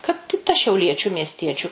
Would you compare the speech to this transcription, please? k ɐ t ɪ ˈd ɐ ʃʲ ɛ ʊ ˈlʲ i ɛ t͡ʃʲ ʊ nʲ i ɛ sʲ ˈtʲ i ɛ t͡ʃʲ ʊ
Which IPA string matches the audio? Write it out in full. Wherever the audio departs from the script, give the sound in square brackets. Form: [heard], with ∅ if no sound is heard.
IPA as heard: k ɐ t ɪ [ˈt] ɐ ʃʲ ɛ ʊ ˈlʲ i ɛ t͡ʃʲ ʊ [mʲ] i ɛ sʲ ˈtʲ i ɛ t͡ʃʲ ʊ